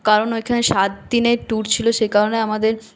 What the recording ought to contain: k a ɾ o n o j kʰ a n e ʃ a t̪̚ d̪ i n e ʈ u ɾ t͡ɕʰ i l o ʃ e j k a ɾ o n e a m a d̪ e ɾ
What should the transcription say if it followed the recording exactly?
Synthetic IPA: k a ɾ o n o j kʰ a n e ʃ a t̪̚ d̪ i n e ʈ u ɾ t͡ɕʰ i l o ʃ e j k a ɾ o n e a m a d̪ e ɾ